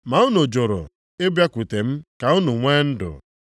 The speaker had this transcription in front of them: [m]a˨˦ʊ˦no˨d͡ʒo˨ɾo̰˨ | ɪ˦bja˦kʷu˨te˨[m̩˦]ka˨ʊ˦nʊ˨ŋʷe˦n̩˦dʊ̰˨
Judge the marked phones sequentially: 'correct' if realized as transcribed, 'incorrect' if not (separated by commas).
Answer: correct, correct